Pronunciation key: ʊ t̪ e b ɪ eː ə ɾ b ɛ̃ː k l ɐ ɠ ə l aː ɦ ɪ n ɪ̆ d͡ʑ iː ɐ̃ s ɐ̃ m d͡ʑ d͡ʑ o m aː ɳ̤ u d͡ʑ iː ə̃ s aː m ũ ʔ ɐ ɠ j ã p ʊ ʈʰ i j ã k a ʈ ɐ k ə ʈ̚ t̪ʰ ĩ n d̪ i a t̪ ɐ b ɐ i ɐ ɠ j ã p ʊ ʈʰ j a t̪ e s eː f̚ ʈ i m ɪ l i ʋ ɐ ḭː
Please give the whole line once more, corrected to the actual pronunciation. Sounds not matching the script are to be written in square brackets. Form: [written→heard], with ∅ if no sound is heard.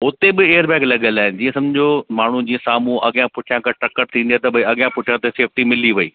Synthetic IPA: ʊ t̪ e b ɪ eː ə ɾ b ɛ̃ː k l ɐ ɠ ə l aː ɦ ɪ n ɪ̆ d͡ʑ iː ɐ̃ s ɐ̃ m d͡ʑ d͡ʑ o m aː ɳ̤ u d͡ʑ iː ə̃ s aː m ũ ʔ ɐ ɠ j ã p ʊ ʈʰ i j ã k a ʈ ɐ k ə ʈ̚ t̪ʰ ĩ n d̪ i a t̪ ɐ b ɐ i ɐ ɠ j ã p ʊ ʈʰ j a t̪ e s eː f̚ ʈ i m ɪ l i ʋ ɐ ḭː